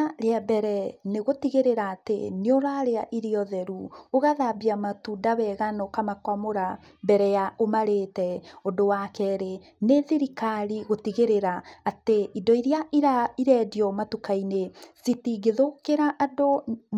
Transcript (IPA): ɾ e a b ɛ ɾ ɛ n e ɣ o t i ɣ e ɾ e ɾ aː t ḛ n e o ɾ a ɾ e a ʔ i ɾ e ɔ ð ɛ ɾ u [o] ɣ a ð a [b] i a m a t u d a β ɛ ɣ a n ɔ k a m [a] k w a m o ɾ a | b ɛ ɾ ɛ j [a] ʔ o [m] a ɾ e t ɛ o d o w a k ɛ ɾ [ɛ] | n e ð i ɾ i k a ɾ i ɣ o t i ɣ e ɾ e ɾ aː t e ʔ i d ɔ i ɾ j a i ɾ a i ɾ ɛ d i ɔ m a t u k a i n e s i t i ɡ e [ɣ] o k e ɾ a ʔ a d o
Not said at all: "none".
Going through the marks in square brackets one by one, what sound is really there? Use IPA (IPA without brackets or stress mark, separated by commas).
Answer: o, b, a, a, m, e, ð